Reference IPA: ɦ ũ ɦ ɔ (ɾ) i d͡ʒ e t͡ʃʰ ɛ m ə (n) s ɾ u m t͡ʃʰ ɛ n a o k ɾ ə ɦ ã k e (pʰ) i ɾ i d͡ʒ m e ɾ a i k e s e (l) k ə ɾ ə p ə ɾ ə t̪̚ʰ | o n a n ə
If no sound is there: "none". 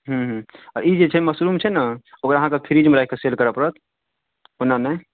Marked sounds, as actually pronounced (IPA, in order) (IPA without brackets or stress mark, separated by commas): ɾ, none, pʰ, l